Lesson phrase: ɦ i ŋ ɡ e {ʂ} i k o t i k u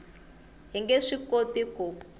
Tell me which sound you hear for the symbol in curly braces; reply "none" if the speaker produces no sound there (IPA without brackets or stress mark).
ʂ